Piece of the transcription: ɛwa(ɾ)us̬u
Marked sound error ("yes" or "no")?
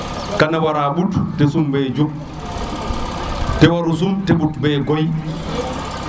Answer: no